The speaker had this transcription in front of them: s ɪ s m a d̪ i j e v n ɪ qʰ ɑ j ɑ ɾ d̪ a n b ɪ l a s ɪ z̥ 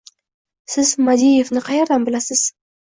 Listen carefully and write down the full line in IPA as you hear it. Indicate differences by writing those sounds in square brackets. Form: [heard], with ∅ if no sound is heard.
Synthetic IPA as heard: s ɪ [z] m a d̪ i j e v n ɪ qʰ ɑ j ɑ ɾ d̪ a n b ɪ l a s ɪ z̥